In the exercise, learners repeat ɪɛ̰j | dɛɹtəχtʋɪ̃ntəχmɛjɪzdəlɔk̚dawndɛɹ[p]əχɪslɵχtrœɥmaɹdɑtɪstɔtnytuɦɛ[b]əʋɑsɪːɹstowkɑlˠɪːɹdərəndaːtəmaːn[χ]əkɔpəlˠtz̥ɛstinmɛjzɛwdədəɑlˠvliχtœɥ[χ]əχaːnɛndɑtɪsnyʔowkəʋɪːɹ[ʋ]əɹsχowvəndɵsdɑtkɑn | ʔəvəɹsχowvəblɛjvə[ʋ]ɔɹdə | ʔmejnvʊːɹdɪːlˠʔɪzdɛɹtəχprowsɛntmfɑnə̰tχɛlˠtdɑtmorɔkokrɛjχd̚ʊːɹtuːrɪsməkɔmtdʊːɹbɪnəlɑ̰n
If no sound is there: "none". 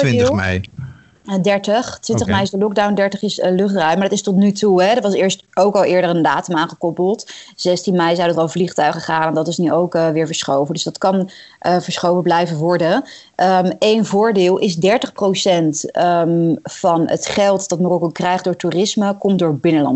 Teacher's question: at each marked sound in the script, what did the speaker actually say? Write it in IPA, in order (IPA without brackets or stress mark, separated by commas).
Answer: t, d, χ, χ, v, ʋ